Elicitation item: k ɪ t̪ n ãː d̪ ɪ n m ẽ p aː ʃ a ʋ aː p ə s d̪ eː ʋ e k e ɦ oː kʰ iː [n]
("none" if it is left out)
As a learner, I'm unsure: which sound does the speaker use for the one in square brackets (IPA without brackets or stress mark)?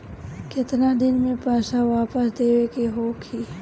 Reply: none